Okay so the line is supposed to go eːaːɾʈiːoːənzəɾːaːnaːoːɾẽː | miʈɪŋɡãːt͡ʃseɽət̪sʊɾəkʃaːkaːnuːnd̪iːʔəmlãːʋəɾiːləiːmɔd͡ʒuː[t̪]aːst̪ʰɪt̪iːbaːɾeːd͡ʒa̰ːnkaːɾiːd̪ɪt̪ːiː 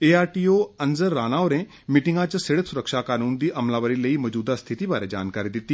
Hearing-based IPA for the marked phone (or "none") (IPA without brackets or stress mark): d̪